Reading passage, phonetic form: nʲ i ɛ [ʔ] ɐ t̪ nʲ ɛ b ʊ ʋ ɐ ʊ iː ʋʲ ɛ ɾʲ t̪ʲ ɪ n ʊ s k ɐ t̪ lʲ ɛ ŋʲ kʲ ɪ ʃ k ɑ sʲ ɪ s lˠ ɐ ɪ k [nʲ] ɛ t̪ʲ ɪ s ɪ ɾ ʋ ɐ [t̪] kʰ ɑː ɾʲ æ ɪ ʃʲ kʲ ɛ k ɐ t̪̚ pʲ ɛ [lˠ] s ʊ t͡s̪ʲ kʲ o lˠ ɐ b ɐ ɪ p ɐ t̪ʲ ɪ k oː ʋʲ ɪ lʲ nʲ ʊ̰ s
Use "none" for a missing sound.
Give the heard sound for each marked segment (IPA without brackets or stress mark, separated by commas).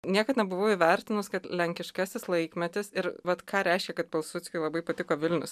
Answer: k, mʲ, t̪, lˠ